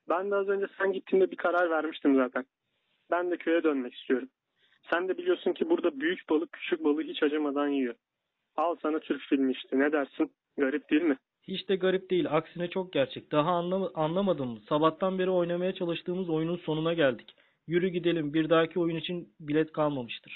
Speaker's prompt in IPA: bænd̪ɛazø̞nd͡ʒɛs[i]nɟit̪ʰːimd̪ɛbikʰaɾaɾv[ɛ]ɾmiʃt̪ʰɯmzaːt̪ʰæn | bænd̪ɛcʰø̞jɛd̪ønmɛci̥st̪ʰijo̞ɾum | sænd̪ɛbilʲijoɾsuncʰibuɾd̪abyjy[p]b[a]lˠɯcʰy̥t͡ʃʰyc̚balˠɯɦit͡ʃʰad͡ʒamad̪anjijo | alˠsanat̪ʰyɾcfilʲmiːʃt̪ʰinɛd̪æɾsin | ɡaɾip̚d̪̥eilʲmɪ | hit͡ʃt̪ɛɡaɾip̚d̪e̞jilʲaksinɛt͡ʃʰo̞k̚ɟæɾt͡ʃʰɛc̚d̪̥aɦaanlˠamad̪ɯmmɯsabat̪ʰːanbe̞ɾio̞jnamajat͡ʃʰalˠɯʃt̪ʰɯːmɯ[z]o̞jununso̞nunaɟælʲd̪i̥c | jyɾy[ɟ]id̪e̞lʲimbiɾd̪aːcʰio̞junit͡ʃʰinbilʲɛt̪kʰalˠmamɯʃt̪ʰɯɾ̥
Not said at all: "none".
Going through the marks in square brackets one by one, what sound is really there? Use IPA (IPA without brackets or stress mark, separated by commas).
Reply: æ, æ, c, a, z, ɟ